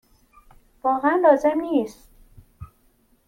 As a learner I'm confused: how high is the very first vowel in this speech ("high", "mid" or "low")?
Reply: low